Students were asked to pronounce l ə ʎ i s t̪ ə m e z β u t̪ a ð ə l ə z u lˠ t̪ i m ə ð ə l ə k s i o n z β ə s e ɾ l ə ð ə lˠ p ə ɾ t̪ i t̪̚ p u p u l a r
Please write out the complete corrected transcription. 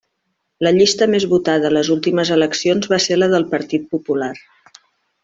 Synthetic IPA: l ə ʎ i s t̪ ə m e z β u t̪ a ð ə l ə z u lˠ t̪ i m ə z ə l ə k s i o n z β a s e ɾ l ə ð ə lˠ p ə ɾ t̪ i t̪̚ p u p u l a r